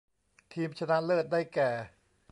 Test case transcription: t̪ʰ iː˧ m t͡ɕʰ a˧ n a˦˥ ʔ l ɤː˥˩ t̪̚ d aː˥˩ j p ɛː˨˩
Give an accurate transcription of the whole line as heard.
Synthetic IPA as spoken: t̪ʰ iː˧ m t͡ɕʰ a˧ n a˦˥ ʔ l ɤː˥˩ t̪̚ d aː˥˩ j k ɛː˨˩